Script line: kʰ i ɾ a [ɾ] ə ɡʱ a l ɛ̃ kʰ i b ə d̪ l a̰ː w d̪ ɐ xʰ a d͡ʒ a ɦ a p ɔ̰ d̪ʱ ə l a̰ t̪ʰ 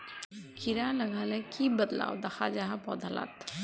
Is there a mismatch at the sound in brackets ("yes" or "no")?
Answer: yes